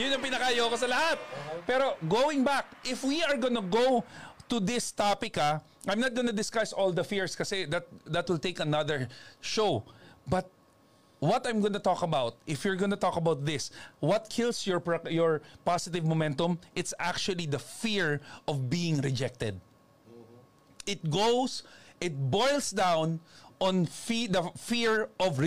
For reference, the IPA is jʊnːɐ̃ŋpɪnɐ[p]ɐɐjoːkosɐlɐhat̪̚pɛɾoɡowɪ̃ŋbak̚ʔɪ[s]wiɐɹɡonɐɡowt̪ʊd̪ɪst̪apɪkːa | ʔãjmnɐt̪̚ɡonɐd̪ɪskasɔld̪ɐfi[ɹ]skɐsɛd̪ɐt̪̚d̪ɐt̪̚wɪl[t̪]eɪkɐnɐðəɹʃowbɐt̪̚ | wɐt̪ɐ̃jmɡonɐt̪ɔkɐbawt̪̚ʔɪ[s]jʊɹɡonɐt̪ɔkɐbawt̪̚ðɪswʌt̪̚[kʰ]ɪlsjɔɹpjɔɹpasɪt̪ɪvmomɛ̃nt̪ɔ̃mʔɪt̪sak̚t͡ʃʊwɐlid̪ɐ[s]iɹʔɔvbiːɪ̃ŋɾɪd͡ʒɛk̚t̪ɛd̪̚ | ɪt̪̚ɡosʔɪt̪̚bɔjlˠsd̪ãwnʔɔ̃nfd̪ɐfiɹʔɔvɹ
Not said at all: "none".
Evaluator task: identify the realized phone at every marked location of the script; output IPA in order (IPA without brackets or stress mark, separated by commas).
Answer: k, f, ɹ, t̪, f, kʰ, f